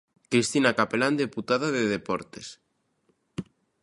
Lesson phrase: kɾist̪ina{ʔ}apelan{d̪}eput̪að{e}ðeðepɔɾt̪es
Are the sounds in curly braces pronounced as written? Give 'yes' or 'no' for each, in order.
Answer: no, yes, no

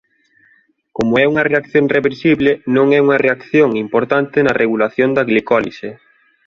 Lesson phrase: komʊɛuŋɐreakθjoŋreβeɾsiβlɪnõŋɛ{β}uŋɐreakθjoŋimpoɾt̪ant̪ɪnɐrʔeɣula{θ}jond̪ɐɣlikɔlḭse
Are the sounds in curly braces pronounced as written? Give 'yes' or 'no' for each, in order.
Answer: no, yes

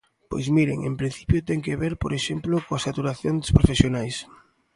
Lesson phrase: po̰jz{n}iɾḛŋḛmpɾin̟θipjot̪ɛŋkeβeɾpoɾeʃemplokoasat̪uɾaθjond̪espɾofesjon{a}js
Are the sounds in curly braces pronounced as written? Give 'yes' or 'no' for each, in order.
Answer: no, yes

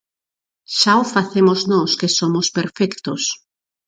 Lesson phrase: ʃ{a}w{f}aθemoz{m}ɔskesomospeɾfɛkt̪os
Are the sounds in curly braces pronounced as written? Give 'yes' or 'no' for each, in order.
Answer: yes, yes, no

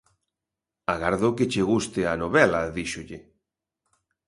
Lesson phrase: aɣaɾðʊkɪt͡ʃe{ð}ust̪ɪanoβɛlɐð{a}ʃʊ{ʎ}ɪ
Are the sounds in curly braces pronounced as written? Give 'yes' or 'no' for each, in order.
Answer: no, no, yes

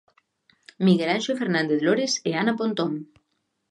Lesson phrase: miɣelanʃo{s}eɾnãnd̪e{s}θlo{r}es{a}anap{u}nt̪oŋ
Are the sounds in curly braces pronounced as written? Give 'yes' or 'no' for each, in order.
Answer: no, no, no, no, no

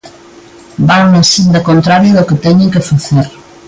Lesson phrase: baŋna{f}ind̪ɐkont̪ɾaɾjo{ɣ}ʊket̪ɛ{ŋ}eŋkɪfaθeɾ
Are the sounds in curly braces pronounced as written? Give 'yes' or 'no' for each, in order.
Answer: no, no, no

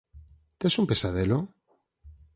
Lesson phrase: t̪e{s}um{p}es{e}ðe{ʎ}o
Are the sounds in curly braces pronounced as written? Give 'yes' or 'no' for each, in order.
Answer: yes, yes, no, no

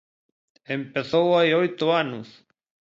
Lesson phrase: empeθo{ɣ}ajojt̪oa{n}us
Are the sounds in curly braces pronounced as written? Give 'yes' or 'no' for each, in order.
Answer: no, yes

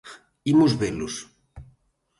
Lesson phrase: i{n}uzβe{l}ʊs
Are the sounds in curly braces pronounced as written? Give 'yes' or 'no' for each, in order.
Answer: no, yes

